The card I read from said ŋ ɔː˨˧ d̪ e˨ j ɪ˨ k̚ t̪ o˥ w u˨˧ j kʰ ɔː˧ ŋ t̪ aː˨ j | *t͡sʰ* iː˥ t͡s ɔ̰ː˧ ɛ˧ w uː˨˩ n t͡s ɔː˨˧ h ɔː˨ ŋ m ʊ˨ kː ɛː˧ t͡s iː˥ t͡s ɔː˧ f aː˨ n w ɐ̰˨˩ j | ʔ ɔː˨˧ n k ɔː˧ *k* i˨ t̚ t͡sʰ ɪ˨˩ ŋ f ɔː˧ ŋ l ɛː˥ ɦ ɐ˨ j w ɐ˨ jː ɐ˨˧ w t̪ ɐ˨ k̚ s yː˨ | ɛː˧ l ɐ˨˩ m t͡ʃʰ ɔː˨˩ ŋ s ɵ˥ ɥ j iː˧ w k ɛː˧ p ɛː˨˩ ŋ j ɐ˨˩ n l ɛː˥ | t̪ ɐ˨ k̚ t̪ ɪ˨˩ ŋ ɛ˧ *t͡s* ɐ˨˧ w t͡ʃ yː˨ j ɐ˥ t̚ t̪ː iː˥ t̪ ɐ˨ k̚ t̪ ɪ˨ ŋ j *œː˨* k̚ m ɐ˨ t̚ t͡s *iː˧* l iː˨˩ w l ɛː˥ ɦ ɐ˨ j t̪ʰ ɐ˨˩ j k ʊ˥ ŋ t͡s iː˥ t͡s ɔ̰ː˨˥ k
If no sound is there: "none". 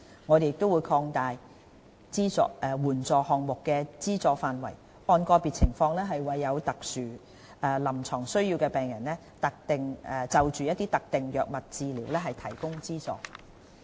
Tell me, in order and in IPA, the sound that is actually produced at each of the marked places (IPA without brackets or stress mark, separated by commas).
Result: t͡s, p, t͡s, œː˨, iː˧